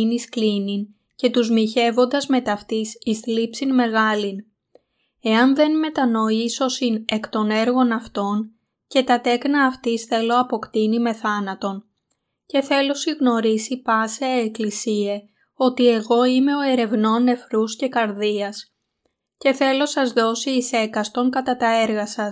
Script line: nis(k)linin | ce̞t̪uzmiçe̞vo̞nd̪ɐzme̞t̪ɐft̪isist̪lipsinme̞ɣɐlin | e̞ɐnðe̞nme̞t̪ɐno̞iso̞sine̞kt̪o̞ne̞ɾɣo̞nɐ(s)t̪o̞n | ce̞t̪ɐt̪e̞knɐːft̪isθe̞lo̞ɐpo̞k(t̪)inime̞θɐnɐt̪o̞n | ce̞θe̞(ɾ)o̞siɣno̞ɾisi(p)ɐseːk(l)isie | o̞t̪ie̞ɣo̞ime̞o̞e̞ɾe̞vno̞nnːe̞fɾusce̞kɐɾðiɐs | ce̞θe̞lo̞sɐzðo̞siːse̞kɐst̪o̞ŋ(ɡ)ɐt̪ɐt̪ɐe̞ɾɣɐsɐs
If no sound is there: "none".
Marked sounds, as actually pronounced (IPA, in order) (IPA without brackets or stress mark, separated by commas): k, f, t̪, l, p, l, k